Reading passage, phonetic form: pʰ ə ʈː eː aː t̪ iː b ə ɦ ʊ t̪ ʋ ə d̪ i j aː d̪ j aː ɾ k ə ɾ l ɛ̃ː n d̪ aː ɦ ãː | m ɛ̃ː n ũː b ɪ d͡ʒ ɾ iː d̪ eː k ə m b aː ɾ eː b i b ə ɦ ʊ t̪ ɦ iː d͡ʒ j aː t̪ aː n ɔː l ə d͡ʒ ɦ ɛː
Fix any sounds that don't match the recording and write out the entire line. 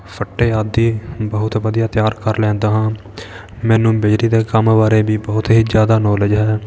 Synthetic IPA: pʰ ə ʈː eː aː d̪ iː b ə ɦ ʊ t̪ ʋ ə d̪ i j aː t̪ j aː ɾ k ə ɾ l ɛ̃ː n d̪ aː ɦ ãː | m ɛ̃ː n ũː b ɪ d͡ʒ ɾ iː d̪ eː k ə m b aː ɾ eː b iː b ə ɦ ʊ t̪ ɦ iː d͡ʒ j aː d̪ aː n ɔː l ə d͡ʒ ɦ ɛː